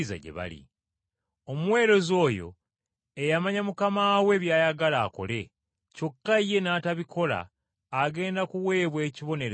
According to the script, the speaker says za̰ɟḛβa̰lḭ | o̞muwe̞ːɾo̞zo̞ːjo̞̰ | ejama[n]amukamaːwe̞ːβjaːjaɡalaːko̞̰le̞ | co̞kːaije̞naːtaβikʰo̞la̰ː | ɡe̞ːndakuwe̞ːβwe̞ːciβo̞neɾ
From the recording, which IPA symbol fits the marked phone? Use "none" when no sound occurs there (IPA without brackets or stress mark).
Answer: ɲ